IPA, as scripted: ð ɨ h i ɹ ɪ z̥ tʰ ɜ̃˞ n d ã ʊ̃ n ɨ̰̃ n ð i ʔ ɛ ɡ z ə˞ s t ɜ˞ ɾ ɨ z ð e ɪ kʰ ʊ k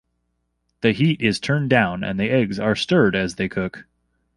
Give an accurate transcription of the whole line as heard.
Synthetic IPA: ð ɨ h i ɾ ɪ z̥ tʰ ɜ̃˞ n d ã ʊ̃ n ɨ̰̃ n ð i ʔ ɛ ɡ z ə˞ s t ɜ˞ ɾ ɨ z ð e ɪ kʰ ʊ k